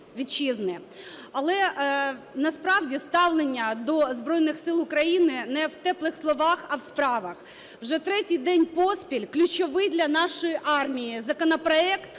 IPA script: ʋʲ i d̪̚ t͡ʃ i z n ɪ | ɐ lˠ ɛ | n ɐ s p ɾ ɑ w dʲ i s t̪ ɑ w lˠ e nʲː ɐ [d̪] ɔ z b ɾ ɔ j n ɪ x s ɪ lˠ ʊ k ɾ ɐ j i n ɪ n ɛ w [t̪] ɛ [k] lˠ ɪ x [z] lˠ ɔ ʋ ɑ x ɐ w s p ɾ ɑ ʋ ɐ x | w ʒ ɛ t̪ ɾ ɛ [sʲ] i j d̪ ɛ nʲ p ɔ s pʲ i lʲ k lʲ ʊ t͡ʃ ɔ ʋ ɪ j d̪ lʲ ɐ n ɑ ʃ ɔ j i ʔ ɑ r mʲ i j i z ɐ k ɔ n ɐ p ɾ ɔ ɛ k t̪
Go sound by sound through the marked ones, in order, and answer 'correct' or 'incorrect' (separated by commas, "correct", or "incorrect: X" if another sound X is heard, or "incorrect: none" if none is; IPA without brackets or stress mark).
correct, correct, incorrect: p, incorrect: s, incorrect: tʲ